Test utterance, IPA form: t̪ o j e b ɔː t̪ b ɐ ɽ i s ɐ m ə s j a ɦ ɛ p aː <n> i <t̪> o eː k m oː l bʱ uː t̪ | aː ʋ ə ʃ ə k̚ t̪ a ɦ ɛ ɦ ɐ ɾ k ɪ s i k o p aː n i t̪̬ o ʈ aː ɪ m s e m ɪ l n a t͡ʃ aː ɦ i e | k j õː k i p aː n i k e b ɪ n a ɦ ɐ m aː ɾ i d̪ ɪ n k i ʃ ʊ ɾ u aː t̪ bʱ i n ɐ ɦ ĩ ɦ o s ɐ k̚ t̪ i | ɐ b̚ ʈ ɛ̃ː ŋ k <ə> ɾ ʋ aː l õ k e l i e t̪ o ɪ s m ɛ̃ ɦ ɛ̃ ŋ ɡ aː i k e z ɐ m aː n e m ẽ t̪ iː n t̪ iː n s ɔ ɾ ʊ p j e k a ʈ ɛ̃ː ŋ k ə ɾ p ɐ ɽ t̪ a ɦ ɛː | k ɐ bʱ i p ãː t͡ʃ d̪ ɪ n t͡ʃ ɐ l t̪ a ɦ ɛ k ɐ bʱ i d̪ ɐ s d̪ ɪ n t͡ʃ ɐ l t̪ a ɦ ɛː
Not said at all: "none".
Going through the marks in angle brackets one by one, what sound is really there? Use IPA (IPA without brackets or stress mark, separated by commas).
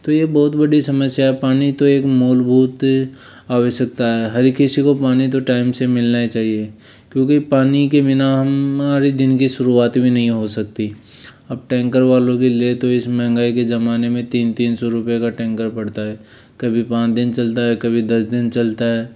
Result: n, t̪, ə